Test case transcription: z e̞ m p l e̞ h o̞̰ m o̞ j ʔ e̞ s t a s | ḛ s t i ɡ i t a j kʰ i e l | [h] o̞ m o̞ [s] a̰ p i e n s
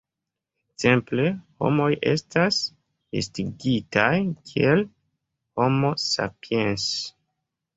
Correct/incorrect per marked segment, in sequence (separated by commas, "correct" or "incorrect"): correct, correct